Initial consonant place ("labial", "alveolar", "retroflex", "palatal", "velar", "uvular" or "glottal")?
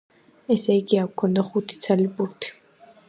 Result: alveolar